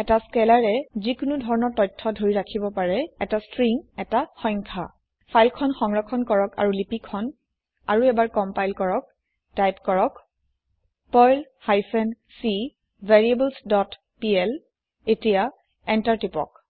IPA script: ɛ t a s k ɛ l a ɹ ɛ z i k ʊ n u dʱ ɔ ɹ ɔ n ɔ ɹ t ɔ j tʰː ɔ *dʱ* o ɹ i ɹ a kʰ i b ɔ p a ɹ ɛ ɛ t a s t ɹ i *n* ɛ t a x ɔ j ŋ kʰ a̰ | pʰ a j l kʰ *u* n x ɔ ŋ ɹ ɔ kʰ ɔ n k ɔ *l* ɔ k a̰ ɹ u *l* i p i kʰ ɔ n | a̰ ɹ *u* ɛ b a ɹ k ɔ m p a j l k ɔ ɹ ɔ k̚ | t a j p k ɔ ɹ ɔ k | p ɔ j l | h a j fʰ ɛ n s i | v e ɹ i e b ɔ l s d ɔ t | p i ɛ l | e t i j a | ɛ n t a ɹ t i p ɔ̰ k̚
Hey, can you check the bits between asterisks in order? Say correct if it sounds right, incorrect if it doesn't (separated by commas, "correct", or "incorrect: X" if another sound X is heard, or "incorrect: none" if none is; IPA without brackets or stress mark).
correct, incorrect: ŋ, incorrect: ɔ, incorrect: ɹ, correct, correct